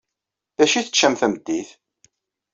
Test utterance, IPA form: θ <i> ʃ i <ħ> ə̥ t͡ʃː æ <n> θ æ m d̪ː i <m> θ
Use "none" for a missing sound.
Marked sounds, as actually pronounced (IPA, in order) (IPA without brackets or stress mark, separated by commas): æ, θ, m, none